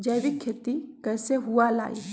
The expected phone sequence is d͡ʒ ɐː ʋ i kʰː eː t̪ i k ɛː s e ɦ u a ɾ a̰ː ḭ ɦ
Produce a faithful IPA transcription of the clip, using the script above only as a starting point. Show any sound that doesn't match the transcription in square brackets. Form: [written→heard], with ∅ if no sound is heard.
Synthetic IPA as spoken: d͡ʒ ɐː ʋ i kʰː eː t̪ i k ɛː s e ɦ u a [ɾ→l] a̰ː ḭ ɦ